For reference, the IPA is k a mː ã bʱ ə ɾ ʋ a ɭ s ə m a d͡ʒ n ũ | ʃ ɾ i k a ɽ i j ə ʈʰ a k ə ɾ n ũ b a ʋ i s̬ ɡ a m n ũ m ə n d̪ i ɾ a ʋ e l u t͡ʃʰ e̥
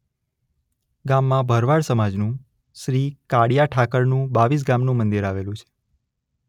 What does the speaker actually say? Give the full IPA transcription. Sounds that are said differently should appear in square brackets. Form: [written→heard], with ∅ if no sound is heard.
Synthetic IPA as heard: [k→ɡ] a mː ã bʱ ə ɾ ʋ a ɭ s ə m a d͡ʒ n ũ | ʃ ɾ i k a ɽ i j [ə→a] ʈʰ a k ə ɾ n ũ b a ʋ i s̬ ɡ a m n ũ m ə n d̪ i ɾ a ʋ e l [u→ũ] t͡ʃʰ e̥